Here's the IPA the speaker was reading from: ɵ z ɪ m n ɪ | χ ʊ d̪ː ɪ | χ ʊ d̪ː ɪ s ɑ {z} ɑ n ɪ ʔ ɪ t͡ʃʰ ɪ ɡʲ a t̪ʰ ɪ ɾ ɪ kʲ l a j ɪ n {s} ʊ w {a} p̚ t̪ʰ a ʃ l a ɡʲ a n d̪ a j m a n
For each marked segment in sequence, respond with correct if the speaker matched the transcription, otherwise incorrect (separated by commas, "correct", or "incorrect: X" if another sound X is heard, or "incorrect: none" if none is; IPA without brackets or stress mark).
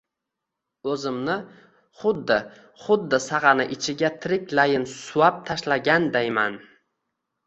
incorrect: ʁ, correct, correct